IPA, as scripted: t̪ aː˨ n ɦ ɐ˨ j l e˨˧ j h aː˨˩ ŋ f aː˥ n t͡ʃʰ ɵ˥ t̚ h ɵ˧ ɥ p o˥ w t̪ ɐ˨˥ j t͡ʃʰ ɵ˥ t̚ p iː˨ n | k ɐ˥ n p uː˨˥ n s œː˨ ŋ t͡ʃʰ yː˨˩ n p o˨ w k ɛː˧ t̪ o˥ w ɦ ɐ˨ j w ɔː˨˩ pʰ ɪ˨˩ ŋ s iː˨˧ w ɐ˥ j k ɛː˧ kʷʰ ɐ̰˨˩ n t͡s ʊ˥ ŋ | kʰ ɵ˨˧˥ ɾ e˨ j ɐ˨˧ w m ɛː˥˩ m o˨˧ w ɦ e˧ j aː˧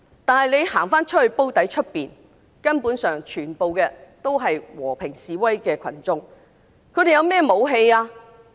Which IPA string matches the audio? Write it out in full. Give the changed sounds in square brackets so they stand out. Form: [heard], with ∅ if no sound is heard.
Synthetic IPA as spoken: t̪ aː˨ n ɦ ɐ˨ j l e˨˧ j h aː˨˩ ŋ f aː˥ n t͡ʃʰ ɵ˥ t̚ h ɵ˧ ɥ p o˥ w t̪ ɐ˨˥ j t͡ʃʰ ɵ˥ t̚ p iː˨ n | k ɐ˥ n p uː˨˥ n s œː˨ ŋ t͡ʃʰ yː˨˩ n p o˨ w k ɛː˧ t̪ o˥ w ɦ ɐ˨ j w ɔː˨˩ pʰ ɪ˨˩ ŋ s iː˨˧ w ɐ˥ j k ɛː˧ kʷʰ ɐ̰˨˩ n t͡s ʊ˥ ŋ | kʰ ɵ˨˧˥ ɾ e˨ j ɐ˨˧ w m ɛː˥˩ m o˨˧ w ɦ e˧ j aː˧